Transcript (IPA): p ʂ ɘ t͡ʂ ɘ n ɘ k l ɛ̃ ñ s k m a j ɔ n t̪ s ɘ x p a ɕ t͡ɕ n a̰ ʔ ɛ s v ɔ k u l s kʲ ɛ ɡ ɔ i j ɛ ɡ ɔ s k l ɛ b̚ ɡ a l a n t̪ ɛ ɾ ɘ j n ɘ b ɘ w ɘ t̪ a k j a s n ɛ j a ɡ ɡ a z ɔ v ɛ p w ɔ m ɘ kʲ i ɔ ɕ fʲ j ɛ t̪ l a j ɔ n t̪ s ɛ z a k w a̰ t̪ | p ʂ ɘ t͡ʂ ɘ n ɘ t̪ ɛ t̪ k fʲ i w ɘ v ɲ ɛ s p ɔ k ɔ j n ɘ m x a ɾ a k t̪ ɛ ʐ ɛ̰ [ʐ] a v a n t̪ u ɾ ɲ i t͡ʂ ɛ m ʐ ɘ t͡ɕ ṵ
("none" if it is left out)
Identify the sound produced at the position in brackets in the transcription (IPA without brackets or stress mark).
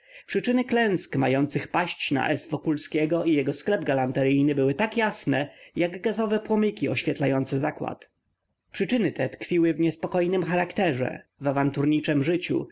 v